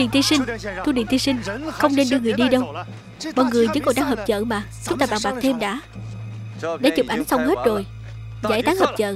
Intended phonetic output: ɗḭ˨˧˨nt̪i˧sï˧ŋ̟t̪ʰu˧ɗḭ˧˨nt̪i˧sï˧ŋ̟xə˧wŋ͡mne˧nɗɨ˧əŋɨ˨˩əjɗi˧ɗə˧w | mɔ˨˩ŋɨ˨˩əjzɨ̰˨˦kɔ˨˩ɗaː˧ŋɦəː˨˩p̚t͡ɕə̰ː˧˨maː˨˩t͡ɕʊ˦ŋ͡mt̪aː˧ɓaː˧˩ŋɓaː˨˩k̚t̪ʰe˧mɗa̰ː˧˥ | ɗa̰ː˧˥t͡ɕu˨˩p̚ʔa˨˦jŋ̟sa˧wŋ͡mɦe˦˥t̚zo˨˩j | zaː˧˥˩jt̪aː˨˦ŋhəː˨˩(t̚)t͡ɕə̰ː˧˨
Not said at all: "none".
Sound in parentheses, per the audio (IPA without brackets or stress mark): p̚